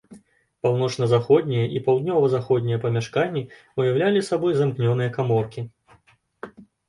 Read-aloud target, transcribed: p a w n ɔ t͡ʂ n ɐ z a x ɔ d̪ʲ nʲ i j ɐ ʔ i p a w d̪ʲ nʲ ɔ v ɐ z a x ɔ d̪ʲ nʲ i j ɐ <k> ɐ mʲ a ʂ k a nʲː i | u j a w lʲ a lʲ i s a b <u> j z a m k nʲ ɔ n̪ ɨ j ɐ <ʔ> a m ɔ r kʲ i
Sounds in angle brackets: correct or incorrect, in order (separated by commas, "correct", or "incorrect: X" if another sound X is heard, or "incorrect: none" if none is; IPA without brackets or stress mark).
incorrect: p, incorrect: ɔ, incorrect: k